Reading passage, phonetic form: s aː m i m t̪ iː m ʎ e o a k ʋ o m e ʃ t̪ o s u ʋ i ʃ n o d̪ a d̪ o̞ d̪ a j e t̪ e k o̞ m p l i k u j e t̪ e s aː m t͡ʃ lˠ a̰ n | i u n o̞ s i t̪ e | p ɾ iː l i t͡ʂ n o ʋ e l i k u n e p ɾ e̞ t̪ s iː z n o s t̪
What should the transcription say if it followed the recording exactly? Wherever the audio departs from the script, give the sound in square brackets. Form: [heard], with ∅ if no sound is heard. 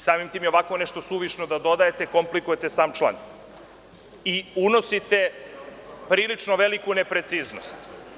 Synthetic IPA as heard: s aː m i m t̪ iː m [j] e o a k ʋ o [n] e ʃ t̪ o s u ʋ i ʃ n o d̪ a d̪ o̞ d̪ a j e t̪ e k o̞ m p l i k u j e t̪ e s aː m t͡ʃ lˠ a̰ n | i u n o̞ s i t̪ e | p ɾ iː l i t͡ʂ n o ʋ e l i k u n e p ɾ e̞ t̪ s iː z n o s t̪

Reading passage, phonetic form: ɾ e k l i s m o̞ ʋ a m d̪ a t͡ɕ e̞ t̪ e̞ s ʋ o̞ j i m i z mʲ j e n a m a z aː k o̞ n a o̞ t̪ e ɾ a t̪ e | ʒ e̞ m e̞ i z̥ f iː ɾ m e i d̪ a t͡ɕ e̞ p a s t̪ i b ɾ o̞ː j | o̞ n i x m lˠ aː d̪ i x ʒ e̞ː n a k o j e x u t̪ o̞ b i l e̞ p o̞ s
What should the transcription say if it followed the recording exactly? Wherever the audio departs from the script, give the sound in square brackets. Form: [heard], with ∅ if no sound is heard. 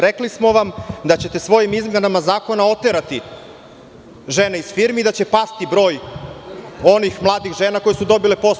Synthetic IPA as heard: ɾ e k l i s m o̞ ʋ a m d̪ a t͡ɕ e̞ t̪ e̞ s ʋ o̞ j i m i z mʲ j e n a m a z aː k o̞ n a o̞ t̪ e ɾ a t̪ [i] | ʒ e̞ [n] e̞ i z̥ f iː ɾ m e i d̪ a t͡ɕ e̞ p a s t̪ i b ɾ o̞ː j | o̞ n i x m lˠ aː d̪ i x ʒ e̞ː n a k o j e [s] u [d̪] o̞ b i l e̞ p o̞ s

